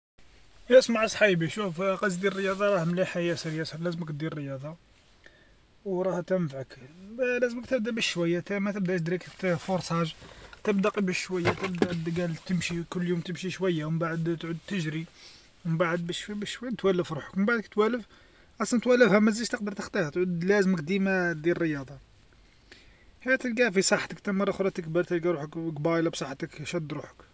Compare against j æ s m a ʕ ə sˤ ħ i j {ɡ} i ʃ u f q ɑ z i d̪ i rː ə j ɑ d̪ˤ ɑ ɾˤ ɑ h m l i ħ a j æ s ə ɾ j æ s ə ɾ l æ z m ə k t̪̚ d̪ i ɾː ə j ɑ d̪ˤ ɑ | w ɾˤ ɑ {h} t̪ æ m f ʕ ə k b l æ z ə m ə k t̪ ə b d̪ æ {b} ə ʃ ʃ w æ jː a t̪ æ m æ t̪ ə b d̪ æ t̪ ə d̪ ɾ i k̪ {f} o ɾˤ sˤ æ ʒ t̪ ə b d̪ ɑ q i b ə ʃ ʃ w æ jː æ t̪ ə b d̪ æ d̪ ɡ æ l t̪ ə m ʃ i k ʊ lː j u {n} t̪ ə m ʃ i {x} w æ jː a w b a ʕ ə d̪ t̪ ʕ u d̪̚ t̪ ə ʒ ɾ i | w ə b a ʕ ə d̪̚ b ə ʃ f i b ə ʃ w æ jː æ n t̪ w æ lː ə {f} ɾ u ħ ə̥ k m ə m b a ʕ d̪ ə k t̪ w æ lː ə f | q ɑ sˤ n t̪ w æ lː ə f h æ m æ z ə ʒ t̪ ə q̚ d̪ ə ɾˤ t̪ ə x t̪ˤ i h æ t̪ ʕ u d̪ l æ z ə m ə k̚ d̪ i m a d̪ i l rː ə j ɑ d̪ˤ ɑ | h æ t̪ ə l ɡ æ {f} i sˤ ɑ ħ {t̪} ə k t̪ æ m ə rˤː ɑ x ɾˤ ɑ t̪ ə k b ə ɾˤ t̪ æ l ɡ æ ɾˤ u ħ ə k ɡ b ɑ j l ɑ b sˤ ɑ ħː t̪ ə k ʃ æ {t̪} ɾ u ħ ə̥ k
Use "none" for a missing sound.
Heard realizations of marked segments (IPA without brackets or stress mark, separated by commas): b, h, b, f, m, ʃ, f, f, t̪, d̪